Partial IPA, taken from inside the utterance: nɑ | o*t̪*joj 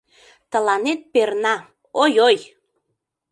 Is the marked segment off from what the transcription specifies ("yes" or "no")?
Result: yes